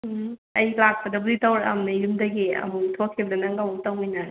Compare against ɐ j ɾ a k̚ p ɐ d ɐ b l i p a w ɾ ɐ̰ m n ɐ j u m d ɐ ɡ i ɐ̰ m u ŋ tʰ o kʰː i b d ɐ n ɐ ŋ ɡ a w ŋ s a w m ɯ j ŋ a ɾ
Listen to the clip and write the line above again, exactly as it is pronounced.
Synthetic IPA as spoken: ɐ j l a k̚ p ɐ d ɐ b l i t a w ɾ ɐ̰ m n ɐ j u m d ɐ ɡ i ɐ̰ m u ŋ tʰ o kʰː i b d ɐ n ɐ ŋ ɡ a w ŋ t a w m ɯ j n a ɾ